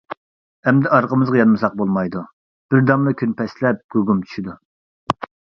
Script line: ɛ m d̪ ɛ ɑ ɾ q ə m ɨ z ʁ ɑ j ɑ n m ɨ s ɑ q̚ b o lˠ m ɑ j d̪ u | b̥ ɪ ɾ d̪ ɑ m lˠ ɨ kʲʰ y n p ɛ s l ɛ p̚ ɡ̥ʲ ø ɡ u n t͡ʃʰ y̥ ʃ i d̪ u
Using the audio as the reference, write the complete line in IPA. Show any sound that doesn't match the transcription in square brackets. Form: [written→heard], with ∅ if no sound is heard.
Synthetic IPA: ɛ m d̪ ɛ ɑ ɾ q ə m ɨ z ʁ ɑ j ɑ n m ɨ s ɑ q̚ b o lˠ m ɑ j d̪ u | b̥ ɪ ɾ d̪ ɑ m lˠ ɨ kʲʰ y n p ɛ s l ɛ p̚ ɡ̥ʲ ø ɡ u [n→m] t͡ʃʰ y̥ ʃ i d̪ u